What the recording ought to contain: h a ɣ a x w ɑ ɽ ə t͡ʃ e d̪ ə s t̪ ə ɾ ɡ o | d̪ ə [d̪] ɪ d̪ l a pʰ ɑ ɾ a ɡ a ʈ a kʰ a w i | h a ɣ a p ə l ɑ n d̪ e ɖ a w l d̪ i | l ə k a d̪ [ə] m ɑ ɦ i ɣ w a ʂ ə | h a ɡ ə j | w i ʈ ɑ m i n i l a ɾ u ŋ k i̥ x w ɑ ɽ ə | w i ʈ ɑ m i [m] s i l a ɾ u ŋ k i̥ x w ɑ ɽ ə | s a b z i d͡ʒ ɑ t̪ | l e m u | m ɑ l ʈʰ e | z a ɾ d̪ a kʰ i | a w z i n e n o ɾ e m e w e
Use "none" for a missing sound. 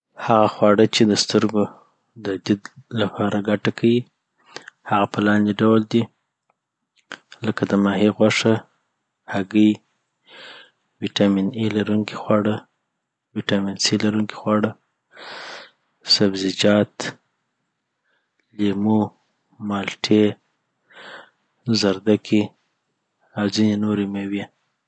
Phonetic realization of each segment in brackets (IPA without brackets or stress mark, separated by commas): d̪, ə, n